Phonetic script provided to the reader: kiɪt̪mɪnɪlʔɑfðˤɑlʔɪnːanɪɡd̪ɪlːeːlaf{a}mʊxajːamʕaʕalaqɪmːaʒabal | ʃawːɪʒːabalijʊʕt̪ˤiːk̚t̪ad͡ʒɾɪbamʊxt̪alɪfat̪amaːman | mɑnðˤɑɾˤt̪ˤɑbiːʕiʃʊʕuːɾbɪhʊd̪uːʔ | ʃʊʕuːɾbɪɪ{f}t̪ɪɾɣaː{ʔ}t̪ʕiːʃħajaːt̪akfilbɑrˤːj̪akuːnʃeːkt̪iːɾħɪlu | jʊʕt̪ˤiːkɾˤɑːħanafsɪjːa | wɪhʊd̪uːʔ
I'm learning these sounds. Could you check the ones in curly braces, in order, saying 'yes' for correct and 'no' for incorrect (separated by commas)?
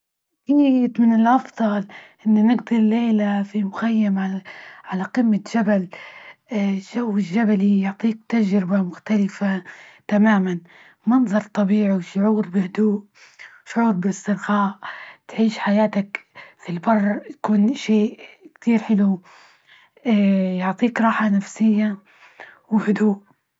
no, no, yes